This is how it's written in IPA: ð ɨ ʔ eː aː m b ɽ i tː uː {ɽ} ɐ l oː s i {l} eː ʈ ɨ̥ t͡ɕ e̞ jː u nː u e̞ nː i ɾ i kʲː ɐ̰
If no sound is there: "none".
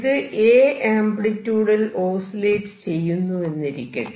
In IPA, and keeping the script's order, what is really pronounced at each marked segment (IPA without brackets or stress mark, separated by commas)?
ɽ, l